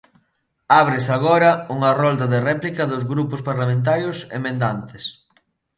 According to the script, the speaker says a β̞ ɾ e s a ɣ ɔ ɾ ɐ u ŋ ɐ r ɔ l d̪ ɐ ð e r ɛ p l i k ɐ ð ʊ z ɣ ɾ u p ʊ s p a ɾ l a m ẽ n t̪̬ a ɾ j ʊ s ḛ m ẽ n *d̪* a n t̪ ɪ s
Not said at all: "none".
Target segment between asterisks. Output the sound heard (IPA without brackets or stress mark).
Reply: d̪